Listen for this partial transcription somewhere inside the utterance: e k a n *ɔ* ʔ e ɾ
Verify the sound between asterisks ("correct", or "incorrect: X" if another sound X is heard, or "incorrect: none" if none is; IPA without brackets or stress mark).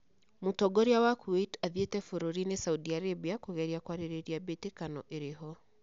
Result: correct